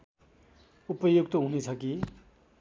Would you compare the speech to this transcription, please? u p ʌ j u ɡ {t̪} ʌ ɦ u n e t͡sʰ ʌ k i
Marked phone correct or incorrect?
correct